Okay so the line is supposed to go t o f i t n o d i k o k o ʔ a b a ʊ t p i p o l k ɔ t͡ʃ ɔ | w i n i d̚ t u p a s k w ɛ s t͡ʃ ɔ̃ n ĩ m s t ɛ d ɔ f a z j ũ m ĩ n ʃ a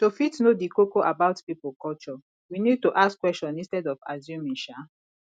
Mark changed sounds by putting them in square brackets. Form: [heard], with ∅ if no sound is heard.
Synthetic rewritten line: t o f i t n o d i k o k o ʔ a b a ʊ t p i p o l k ɔ t͡ʃ ɔ | w i n i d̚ t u [ʔ] a s k w ɛ s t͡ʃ ɔ̃ n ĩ [n] s t ɛ d ɔ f a z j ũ m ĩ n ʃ a